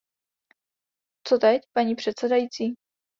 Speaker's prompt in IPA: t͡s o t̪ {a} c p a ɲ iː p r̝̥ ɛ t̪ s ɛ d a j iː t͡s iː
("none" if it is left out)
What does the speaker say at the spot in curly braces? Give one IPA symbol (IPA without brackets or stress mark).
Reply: ɛ